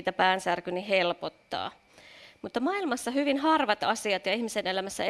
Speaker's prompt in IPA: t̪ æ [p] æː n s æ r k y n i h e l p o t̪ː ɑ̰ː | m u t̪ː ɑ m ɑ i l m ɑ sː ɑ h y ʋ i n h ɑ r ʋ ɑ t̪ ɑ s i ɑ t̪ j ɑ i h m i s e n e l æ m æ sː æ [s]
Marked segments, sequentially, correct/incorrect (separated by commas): correct, incorrect